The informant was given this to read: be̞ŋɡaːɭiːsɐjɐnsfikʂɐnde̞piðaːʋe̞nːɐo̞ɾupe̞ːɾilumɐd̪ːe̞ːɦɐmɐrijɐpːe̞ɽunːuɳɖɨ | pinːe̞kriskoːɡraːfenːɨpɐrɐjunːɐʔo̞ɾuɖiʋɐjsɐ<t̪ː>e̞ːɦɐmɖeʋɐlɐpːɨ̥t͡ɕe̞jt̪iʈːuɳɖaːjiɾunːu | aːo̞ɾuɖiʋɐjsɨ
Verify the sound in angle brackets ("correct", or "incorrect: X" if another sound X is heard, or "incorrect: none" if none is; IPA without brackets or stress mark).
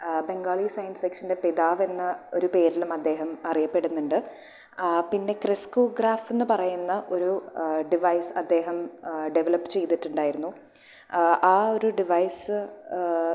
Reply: incorrect: d̪ː